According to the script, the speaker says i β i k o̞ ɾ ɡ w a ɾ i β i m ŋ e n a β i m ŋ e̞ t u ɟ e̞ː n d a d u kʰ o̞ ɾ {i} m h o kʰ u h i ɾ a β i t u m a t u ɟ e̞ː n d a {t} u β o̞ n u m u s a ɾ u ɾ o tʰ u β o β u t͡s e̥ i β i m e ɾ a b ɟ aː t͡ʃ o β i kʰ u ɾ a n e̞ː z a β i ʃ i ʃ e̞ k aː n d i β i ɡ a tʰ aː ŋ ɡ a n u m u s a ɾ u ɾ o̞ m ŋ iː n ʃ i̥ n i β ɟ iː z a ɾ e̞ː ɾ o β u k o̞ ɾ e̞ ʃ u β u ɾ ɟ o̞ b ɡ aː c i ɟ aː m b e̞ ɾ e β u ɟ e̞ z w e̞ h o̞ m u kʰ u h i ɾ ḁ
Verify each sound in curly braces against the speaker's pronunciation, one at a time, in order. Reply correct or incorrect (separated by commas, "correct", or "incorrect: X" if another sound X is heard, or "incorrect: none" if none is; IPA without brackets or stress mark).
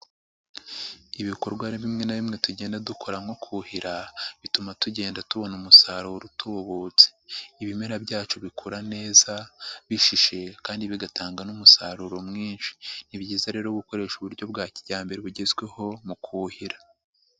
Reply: incorrect: a, correct